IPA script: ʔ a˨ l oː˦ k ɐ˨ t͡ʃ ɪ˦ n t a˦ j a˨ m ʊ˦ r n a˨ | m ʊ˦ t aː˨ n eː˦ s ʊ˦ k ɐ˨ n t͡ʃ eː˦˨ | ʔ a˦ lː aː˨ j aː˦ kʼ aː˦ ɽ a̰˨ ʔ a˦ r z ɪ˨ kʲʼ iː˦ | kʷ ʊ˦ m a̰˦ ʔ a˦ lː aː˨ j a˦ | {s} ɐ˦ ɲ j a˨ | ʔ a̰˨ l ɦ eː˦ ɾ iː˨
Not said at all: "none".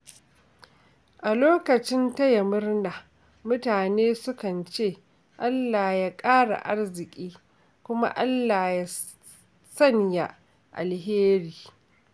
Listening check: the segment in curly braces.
s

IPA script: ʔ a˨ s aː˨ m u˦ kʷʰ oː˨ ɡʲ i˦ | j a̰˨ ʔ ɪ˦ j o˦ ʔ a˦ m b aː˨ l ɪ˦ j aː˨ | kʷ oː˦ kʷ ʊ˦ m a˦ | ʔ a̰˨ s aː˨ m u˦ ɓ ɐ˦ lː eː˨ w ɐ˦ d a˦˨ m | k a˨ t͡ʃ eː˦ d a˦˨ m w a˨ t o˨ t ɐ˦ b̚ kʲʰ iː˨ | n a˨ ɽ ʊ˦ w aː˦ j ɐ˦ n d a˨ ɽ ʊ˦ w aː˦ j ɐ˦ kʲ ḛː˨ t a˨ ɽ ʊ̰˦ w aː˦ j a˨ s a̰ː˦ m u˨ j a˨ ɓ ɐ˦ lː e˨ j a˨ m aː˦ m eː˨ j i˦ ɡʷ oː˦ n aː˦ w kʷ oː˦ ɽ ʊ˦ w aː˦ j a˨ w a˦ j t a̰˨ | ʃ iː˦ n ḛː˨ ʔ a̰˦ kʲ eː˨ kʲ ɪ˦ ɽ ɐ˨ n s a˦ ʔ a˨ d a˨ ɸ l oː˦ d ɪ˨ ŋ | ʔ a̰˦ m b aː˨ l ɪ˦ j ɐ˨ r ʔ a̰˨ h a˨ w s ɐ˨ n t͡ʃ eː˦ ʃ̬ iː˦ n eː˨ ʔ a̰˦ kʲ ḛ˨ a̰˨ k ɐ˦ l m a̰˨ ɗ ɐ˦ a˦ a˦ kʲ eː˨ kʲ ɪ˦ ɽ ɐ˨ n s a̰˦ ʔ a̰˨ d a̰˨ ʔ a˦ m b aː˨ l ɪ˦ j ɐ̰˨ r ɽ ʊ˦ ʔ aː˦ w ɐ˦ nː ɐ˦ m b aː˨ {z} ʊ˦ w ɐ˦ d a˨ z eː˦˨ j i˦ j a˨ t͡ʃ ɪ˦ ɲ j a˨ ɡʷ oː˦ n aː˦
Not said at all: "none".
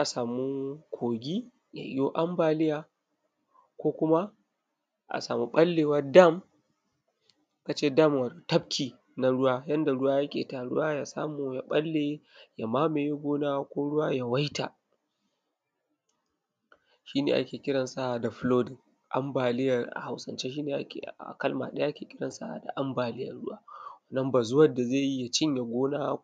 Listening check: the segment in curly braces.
z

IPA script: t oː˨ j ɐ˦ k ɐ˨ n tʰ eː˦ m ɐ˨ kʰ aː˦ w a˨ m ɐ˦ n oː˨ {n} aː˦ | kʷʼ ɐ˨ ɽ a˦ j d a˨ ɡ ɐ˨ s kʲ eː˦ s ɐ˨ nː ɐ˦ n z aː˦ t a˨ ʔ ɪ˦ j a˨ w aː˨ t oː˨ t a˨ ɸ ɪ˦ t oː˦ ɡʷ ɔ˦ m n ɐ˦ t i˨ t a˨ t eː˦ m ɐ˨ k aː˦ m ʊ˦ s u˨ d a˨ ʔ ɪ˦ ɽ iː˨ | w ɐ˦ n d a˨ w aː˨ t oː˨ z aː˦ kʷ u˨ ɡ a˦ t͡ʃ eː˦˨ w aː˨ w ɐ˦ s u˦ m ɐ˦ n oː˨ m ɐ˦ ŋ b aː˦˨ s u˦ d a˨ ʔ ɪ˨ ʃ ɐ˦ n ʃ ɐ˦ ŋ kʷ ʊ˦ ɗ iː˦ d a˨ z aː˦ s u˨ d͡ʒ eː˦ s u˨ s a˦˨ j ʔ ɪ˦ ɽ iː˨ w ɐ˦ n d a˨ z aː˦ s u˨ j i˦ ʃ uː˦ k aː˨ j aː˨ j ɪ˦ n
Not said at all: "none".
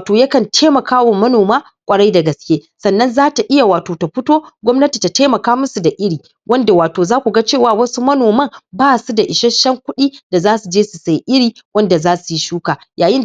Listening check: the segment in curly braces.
m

